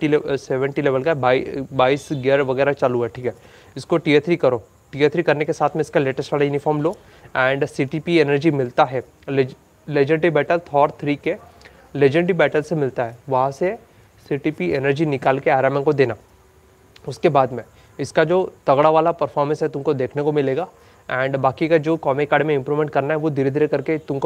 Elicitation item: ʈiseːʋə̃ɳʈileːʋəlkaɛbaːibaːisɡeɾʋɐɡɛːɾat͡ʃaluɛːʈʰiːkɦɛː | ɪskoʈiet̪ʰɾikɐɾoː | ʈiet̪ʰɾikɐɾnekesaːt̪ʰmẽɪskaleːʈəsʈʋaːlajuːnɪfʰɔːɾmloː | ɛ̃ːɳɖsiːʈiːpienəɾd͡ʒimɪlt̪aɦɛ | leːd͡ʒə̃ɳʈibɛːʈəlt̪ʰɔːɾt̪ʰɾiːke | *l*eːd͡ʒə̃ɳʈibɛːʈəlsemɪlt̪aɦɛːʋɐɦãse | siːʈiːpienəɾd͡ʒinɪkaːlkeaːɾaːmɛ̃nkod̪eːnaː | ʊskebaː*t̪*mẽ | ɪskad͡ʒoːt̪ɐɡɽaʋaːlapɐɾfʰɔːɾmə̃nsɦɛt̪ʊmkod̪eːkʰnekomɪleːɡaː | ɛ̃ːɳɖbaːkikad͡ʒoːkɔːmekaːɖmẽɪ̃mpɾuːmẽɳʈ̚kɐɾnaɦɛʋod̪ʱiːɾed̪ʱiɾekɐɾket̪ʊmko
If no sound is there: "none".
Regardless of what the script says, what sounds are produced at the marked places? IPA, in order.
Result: l, d̪

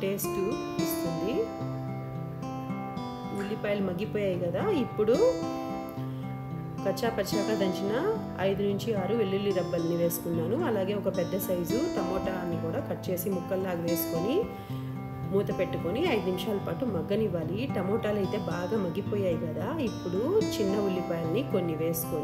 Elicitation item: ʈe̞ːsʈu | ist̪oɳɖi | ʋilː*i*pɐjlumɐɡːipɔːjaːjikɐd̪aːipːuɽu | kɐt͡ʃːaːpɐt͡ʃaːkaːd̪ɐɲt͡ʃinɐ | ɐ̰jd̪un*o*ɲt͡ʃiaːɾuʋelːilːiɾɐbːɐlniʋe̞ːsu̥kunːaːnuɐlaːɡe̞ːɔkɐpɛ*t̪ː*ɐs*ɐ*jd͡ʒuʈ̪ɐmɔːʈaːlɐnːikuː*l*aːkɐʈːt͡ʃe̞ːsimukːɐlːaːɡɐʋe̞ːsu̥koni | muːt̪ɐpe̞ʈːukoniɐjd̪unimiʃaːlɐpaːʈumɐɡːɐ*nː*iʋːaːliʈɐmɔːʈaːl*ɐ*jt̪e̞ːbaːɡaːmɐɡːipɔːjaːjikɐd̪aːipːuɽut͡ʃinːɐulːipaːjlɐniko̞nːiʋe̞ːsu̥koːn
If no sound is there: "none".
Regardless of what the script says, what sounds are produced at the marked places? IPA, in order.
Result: i, u, d̪ː, ɐ, ɽ, n, ɐ

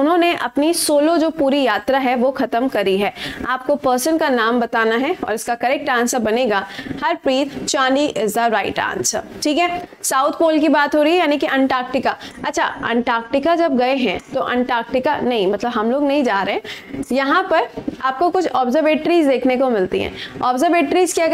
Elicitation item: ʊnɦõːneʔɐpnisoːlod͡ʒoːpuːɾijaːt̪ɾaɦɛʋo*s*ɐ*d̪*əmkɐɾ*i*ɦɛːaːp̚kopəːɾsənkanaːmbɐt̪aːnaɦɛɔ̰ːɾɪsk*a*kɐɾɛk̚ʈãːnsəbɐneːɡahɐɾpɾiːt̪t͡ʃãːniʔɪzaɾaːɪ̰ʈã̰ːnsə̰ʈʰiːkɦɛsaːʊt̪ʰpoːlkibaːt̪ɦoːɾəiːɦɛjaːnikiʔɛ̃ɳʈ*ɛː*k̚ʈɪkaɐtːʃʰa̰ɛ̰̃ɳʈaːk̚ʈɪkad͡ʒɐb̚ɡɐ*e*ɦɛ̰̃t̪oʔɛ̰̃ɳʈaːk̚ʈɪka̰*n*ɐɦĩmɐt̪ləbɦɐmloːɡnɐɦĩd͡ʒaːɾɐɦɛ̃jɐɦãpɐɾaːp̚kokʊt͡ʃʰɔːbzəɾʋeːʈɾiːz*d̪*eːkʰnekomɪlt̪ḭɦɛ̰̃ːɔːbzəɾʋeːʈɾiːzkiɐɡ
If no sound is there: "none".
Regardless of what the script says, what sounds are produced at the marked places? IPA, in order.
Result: x, t̪, i, a, aː, e, n, d̪

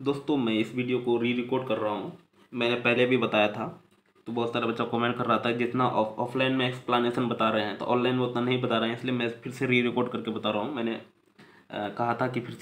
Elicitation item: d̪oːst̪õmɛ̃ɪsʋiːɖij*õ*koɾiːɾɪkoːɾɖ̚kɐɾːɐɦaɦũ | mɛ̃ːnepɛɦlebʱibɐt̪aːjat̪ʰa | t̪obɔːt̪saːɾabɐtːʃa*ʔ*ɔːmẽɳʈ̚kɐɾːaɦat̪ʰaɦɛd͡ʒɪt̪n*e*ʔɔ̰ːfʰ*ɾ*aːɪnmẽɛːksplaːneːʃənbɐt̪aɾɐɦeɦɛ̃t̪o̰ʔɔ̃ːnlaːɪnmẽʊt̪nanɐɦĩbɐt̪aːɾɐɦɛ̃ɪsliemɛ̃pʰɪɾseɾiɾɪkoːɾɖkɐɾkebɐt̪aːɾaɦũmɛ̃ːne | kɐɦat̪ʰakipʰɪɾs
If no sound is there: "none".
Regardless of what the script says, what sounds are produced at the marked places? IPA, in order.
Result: o, k, a, l

